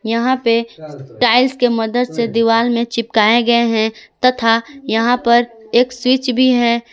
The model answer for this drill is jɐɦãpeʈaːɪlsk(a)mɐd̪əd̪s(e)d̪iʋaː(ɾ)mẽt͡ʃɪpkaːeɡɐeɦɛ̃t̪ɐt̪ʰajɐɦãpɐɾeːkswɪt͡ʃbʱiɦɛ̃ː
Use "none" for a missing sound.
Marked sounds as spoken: e, e, l

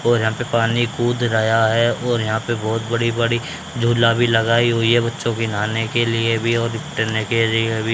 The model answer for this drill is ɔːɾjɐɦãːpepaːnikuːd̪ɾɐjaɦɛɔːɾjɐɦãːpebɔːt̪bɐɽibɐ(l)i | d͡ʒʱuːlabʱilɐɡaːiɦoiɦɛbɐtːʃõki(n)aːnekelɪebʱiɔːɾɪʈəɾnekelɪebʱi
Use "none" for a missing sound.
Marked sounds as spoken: ɽ, n

